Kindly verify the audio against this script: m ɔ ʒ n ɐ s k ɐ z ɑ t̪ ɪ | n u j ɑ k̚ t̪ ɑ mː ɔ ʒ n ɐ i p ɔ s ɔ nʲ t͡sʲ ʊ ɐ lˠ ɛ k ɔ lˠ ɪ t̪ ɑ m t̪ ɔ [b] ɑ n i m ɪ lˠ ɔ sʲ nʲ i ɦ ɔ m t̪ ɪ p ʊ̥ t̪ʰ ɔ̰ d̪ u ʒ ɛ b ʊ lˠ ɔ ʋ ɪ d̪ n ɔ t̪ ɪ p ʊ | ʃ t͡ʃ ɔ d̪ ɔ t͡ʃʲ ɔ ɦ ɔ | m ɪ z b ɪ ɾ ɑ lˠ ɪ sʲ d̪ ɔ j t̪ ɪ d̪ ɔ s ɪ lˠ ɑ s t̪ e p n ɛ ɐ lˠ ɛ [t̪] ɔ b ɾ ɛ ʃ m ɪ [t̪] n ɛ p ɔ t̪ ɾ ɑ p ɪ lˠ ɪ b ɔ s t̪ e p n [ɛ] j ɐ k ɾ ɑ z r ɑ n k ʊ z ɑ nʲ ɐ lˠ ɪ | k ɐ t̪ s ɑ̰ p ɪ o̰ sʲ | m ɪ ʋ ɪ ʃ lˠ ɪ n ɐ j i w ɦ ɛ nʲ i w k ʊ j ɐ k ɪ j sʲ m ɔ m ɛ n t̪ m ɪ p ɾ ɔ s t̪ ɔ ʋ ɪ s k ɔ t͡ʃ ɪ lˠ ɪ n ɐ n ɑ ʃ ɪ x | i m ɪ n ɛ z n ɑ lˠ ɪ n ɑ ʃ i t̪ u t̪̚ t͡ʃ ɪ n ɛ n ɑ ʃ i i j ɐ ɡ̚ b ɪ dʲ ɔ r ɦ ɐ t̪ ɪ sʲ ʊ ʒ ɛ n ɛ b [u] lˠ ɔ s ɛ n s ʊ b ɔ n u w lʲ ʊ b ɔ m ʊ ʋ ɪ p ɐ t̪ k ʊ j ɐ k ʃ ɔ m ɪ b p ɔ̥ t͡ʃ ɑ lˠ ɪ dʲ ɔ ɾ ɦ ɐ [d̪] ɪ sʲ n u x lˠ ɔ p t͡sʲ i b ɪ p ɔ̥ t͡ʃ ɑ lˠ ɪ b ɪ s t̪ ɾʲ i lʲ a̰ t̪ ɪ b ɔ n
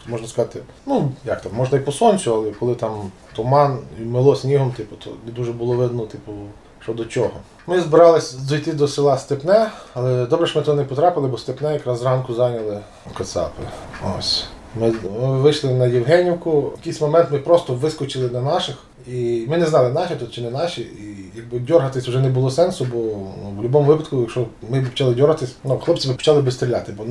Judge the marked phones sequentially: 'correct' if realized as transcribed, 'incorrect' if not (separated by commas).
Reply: incorrect, incorrect, correct, correct, incorrect, incorrect